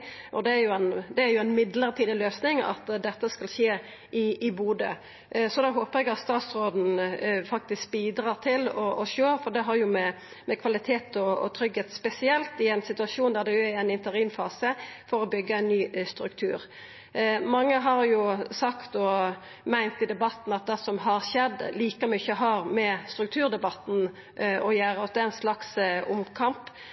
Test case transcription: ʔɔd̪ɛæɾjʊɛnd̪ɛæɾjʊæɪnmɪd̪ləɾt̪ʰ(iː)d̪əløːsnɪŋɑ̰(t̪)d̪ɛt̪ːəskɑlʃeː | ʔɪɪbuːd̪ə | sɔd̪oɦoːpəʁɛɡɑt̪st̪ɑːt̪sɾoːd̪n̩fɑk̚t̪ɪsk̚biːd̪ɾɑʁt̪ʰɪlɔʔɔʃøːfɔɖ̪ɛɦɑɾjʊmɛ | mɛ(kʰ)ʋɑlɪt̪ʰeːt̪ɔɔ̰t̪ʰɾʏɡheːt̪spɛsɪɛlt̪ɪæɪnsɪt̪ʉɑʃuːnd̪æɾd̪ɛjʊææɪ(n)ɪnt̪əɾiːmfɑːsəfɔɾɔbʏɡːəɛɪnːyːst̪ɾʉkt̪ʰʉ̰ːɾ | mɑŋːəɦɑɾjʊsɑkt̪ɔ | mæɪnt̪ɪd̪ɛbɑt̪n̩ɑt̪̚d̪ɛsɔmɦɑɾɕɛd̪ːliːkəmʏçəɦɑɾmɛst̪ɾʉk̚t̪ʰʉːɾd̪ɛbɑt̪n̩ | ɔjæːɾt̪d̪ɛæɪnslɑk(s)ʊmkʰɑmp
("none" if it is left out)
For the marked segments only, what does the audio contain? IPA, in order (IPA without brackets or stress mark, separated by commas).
iː, t̪, kʰ, n, s